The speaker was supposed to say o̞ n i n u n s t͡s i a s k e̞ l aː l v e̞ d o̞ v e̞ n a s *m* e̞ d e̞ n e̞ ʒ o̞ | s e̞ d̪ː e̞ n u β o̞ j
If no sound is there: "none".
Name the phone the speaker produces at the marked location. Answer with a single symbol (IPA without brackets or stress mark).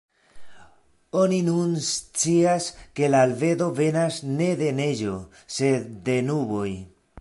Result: n